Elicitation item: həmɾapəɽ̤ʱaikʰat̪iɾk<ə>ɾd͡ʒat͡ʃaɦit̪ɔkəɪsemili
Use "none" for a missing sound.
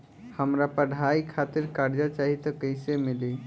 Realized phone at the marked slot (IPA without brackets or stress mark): a